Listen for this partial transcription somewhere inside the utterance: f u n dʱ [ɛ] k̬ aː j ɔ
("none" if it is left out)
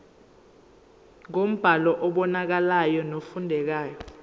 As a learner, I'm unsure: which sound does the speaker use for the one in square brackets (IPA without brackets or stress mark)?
ɛ